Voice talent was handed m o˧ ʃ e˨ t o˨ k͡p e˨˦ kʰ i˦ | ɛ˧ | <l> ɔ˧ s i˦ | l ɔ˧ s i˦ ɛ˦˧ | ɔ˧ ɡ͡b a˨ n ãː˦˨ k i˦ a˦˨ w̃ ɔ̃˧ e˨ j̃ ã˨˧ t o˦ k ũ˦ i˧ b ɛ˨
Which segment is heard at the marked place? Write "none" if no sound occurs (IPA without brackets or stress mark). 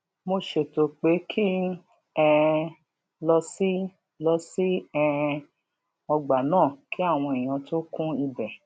l